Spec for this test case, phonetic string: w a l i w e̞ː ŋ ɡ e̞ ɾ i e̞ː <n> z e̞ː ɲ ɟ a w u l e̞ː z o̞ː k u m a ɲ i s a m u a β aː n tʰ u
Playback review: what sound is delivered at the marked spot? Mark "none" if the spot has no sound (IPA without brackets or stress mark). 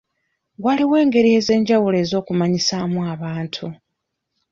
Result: none